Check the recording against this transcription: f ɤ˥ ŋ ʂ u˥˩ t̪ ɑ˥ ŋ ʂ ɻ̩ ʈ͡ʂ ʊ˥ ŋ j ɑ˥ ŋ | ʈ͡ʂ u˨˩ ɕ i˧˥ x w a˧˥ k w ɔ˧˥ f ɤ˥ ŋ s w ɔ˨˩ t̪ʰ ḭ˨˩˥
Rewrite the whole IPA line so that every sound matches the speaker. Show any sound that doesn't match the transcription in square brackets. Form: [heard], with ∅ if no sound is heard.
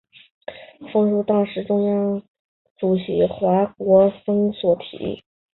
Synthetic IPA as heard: f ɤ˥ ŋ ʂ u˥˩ t̪ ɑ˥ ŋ ʂ ɻ̩ ʈ͡ʂ ʊ˥ ŋ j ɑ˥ ŋ | ʈ͡ʂ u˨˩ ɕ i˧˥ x w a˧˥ k w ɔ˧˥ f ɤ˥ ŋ s w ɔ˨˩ t̪ʰ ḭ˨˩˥